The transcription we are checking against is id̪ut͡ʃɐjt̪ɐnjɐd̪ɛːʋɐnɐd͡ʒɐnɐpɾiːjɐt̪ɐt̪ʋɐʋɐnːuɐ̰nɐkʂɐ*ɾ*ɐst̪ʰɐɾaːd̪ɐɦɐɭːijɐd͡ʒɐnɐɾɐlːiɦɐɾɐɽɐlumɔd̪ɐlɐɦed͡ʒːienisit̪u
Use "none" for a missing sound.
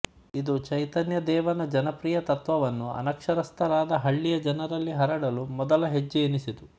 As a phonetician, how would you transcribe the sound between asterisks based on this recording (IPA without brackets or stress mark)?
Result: ɾ